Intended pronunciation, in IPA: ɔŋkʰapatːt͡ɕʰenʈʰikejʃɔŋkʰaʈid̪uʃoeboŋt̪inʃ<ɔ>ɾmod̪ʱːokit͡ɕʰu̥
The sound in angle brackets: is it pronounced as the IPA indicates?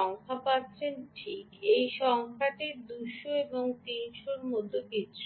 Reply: no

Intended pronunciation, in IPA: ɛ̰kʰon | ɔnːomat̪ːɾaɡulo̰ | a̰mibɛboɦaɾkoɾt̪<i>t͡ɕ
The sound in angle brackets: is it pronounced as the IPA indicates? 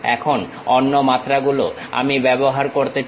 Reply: no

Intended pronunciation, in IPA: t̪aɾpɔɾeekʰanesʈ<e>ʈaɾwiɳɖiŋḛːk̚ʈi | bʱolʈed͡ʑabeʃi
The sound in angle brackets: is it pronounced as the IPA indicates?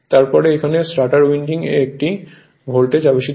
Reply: no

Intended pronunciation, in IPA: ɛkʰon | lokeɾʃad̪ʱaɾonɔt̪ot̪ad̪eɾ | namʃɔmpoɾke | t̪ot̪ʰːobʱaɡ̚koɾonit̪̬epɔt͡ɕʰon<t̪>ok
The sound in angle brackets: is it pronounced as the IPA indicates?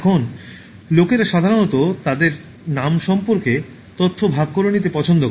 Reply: no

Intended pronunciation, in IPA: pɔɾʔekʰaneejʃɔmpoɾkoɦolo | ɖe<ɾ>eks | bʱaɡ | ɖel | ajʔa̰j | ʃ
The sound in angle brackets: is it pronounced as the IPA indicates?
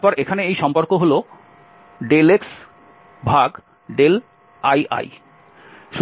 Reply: no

